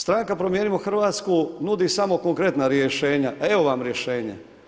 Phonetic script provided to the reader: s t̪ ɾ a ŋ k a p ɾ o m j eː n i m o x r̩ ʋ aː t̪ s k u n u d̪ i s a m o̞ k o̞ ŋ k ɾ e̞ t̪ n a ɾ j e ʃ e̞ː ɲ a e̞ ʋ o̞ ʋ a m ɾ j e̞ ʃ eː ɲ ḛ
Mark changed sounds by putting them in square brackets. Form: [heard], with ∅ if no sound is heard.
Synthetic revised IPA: s t̪ ɾ a ŋ k a p ɾ o m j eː n i m o x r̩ ʋ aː t̪ s k u n u d̪ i s a m o̞ k o̞ ŋ k ɾ e̞ t̪ n a ɾ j e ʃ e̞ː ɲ a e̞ ʋ o̞ ʋ a m ɾ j e̞ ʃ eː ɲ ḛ